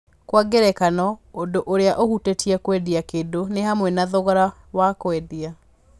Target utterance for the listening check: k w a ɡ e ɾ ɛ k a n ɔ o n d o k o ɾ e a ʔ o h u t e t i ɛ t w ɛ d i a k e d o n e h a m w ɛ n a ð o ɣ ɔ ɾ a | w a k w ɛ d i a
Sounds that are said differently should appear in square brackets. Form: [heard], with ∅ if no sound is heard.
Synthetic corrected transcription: k w a ɡ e ɾ ɛ k a n ɔ o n d o [ʔ] o ɾ e a ʔ o h u t e t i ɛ [k] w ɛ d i a k e d o n e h a m w ɛ n a ð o ɣ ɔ ɾ a | w a k w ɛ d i a